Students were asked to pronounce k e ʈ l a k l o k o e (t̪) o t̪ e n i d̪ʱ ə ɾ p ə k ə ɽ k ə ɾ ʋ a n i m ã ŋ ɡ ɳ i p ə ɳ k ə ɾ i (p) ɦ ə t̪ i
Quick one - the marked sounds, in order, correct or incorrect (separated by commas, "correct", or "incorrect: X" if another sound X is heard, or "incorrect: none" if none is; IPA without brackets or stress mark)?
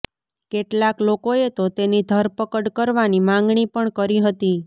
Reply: correct, incorrect: none